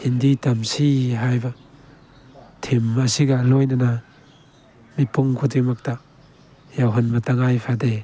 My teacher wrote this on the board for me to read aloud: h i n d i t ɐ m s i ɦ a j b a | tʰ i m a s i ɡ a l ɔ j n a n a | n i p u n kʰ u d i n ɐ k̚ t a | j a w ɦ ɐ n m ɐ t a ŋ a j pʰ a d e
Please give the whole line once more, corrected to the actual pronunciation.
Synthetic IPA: h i n d i t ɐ m s i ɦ a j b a | tʰ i m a s i ɡ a l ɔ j n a n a | m i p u ŋ kʰ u d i m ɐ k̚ t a | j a w ɦ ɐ n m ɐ t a ŋ a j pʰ a d e